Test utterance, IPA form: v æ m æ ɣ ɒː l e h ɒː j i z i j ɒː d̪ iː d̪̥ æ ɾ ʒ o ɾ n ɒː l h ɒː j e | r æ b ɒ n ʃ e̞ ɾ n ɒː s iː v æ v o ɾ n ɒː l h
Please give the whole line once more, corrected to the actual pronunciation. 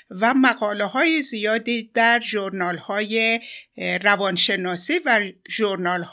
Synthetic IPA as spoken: v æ m æ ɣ ɒː l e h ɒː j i z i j ɒː d̪ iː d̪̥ æ ɾ ʒ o ɾ n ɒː l h ɒː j e | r æ v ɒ n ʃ e̞ n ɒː s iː v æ ʒ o ɾ n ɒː l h